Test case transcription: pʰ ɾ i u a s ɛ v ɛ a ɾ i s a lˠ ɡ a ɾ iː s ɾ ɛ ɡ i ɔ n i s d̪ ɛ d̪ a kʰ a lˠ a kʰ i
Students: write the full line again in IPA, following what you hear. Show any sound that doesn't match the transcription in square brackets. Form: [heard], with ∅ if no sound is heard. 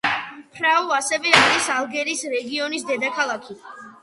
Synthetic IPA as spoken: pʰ ɾ [a] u a s ɛ v ɛ a ɾ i s a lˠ ɡ [ɛ] ɾ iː s ɾ ɛ ɡ i ɔ n i s d̪ ɛ d̪ a kʰ a lˠ a kʰ i